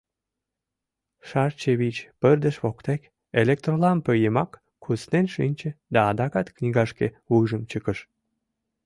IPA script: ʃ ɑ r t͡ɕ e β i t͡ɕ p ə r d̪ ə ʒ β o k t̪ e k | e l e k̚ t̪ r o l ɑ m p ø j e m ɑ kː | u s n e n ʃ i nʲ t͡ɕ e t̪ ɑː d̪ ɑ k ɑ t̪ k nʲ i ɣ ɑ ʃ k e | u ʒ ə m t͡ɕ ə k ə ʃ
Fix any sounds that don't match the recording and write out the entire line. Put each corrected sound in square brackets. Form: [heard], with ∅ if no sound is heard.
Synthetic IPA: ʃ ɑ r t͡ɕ e β i t͡ɕ p ə r d̪ ə [ʃ] β o k t̪ e k | e l e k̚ t̪ r o l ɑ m p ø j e m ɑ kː | u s n e n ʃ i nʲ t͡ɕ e [d̪] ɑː d̪ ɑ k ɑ t̪ k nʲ i ɣ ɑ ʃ k e | u ʒ ə m t͡ɕ ə k ə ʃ